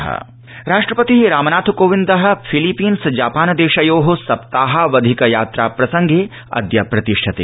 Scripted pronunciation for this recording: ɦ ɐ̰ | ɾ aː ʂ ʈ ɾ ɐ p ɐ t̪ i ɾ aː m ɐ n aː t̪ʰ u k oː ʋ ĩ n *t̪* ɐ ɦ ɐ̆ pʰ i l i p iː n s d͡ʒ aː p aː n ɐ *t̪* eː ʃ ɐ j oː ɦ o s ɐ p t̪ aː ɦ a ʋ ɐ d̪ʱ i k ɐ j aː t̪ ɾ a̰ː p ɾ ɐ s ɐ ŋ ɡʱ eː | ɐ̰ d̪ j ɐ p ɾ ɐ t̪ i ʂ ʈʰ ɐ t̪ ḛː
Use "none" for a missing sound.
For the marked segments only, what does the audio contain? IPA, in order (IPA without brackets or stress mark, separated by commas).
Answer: d̪, d̪